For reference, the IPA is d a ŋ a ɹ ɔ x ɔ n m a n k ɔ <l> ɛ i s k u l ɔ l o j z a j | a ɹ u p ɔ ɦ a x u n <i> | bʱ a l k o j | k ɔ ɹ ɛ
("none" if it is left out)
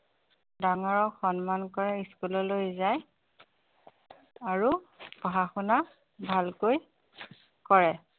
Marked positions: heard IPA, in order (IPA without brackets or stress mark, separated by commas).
ɹ, a